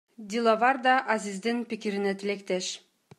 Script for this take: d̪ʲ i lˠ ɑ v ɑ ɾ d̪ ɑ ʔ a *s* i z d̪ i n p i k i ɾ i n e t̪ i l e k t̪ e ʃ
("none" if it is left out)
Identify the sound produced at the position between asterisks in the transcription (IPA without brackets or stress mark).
z